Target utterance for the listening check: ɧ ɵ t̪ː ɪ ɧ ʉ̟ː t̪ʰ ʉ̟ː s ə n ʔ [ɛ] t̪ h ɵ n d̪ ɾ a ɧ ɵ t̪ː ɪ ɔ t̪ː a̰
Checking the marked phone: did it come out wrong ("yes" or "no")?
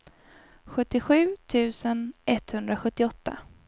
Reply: no